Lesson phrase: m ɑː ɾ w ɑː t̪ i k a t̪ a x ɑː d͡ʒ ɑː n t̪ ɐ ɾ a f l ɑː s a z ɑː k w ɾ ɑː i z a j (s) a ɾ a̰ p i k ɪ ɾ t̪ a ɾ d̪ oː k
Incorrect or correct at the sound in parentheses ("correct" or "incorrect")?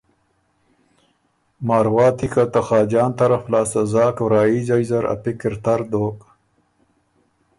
incorrect